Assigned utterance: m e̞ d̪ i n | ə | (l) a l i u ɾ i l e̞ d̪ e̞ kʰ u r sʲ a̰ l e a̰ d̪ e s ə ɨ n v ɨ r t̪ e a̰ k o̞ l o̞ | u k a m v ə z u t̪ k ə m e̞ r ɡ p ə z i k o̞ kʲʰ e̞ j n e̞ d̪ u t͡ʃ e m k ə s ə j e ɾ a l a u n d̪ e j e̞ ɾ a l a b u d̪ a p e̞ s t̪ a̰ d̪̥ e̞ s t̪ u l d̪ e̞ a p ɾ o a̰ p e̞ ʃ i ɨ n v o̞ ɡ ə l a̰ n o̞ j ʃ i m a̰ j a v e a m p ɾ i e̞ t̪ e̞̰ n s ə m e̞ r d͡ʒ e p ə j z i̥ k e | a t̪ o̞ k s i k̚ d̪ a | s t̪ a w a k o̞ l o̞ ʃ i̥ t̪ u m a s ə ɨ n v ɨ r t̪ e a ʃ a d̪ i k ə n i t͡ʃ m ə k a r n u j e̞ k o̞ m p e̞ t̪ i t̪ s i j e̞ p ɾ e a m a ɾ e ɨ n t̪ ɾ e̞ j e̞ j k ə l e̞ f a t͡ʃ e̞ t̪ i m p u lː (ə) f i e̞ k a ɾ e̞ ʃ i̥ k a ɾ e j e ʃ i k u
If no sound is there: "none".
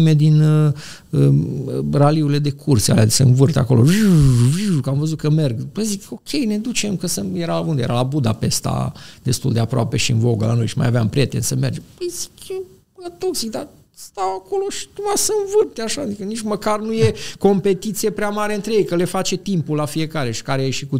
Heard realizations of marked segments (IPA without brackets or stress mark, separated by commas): r, a